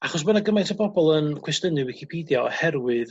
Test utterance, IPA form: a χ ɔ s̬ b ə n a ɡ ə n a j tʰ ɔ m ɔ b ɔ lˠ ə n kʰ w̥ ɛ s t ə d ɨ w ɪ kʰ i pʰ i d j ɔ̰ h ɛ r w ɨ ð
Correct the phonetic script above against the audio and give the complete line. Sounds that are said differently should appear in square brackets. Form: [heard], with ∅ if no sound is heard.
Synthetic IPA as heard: a χ ɔ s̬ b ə n a ɡ ə [m] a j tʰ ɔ [b] ɔ b ɔ lˠ ə n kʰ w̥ ɛ s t ə [n] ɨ w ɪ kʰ i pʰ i d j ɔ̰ h ɛ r w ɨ ð

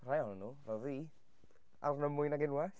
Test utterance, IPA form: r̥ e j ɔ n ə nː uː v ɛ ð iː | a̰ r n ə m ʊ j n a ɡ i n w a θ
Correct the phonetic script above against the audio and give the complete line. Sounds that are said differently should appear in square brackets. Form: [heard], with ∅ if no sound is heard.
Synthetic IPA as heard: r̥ [a] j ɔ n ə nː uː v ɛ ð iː | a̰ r n ə m ʊ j n a ɡ [ɪ] n w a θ

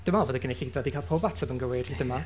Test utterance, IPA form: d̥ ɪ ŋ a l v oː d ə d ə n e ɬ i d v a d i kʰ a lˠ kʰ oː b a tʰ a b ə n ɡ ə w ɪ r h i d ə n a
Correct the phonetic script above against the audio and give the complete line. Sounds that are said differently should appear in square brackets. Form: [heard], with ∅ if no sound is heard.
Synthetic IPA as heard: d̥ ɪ [m] a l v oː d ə [ɡ] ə n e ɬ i d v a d i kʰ a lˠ [pʰ] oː b a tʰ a b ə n ɡ ə w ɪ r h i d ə [m] a

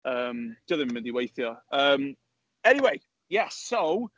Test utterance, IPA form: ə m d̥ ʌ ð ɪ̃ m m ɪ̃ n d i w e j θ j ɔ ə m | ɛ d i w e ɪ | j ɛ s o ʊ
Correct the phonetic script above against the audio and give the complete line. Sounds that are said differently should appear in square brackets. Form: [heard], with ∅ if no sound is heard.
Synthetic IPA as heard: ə m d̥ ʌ ð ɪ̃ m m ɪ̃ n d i w e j θ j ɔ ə m | ɛ [n] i w e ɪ | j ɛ s o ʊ

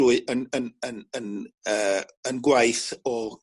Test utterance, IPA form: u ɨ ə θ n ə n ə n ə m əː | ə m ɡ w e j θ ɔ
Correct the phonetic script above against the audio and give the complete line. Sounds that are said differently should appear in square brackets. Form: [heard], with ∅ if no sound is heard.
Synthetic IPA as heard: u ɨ ə [∅] n ə n ə n ə [n] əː | ə [n] ɡ w [a] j θ ɔ

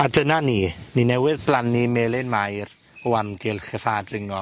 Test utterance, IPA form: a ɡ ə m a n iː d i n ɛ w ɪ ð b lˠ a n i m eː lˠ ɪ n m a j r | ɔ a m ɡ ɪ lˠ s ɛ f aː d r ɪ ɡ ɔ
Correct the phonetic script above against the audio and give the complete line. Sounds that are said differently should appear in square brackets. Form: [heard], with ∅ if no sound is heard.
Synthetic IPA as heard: a [d] ə [n] a n iː [n] i n ɛ w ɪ ð b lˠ a n i m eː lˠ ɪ n m a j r | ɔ a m ɡ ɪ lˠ [χ] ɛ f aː d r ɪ [ŋ] ɔ

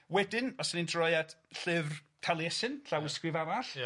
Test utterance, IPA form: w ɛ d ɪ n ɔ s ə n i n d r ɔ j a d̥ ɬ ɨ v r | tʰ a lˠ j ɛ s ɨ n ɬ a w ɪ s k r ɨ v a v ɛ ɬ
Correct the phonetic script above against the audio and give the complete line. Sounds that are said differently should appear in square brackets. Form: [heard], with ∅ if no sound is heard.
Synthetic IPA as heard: w ɛ d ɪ n ɔ s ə n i n d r ɔ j a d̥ ɬ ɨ v r | tʰ a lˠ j ɛ s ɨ n ɬ a w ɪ s k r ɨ v a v [a] ɬ

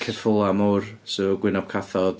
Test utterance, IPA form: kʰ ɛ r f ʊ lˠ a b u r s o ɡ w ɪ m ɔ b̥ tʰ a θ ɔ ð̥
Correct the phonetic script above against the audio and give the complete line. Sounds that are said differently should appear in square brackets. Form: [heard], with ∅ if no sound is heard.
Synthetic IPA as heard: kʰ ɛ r f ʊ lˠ a [m] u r s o ɡ w ɪ [n] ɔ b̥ [kʰ] a θ ɔ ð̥

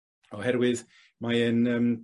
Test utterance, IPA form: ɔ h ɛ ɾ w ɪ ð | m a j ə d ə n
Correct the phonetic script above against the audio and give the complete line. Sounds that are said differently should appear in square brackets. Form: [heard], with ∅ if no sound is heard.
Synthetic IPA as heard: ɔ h ɛ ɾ w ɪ ð | m a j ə [n] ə [m]

